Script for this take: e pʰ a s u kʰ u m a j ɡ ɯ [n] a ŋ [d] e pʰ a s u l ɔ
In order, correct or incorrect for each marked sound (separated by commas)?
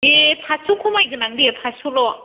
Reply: correct, correct